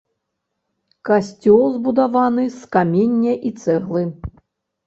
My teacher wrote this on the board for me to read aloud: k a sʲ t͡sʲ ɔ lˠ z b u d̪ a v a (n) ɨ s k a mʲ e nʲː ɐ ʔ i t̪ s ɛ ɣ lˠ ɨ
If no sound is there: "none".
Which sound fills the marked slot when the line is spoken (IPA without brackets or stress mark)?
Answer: n